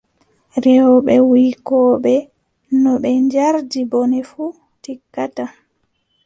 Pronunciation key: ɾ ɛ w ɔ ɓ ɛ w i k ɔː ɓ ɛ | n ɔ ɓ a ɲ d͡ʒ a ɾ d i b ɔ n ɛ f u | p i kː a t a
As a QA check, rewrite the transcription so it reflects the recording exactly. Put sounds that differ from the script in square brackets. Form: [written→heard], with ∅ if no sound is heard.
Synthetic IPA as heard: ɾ ɛ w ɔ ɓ ɛ w i k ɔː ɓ ɛ | n ɔ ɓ [a→ɛ] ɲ d͡ʒ a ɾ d i b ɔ n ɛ f u | [p→t] i kː a t a

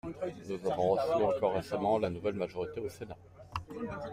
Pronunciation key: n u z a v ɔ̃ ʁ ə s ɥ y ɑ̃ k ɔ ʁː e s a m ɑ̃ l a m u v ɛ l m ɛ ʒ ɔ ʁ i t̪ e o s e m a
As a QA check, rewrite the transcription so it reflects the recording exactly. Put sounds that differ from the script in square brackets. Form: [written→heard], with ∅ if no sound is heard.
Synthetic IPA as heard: n u z a v ɔ̃ ʁ ə s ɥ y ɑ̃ k ɔ ʁː e s a m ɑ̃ l a [m→n] u v ɛ l m [ɛ→a] ʒ ɔ ʁ i t̪ e o s e [m→n] a

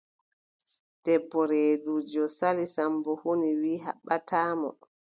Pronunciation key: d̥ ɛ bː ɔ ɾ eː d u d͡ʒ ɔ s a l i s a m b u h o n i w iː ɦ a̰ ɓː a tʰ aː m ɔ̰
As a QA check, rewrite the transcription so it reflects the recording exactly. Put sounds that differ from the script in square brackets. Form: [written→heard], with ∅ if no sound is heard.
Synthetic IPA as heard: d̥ ɛ bː ɔ ɾ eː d u d͡ʒ ɔ s a l i s a m b [u→ɔ] h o n i w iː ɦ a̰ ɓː a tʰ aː m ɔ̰

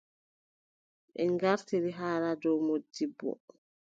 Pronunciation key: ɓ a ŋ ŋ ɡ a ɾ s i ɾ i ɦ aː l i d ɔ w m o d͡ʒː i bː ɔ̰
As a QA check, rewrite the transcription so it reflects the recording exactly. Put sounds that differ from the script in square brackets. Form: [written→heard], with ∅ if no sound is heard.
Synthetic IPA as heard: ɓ [a→ɛ] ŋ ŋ ɡ a ɾ [s→t] i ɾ i ɦ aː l [i→a] d ɔ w m o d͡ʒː i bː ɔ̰

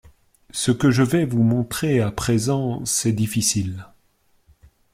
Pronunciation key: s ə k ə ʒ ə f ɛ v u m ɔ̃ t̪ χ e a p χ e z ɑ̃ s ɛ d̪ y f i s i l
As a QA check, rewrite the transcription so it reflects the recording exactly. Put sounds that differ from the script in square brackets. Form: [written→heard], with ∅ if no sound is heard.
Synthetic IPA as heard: s ə k ə ʒ ə [f→v] ɛ v u m ɔ̃ t̪ χ e a p χ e z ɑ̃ s ɛ d̪ [y→i] f i s i l

